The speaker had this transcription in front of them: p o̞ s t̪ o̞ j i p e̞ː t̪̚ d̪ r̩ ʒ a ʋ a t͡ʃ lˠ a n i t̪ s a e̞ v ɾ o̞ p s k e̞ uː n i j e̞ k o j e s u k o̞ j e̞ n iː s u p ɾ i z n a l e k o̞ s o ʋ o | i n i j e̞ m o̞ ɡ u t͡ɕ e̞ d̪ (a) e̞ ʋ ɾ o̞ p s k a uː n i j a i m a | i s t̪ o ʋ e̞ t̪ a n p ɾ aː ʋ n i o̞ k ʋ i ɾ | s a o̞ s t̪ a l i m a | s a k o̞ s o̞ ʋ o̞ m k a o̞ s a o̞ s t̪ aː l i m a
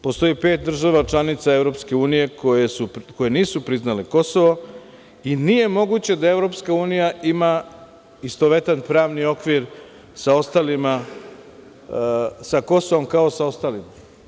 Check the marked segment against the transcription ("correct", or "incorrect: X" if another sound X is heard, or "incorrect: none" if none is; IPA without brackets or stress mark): correct